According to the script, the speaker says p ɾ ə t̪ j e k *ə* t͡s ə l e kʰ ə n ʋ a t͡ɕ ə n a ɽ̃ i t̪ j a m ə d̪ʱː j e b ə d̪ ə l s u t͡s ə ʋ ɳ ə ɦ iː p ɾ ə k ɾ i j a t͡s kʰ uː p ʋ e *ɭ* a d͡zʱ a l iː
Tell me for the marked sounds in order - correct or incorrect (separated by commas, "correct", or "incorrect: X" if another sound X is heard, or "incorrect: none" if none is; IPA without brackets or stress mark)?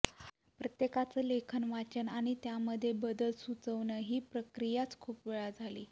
incorrect: a, correct